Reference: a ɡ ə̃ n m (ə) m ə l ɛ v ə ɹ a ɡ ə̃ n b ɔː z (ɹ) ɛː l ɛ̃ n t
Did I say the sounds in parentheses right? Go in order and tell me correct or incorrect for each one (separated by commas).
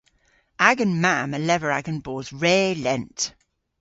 incorrect, correct